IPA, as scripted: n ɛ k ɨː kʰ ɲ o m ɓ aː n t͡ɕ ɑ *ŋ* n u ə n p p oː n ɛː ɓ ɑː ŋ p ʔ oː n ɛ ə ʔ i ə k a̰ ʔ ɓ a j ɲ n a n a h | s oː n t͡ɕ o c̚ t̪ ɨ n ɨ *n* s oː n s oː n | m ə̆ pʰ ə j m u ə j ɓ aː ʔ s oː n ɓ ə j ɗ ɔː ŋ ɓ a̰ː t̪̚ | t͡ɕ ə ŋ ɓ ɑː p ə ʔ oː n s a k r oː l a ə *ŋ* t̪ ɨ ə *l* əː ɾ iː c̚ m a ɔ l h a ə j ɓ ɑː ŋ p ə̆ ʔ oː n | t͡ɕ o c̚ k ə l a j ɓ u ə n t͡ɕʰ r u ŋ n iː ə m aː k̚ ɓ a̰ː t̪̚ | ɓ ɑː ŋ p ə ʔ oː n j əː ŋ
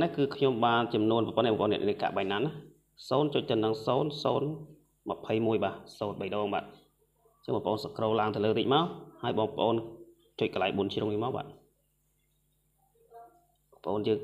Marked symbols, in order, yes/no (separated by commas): no, no, yes, yes